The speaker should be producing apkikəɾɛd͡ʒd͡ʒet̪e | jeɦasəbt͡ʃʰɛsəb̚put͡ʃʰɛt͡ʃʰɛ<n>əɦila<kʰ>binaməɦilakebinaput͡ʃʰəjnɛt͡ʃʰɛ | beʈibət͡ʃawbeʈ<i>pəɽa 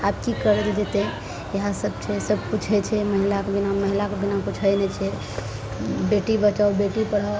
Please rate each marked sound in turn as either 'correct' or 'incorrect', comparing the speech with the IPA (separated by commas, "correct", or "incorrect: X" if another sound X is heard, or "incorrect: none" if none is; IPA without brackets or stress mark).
incorrect: m, incorrect: k, correct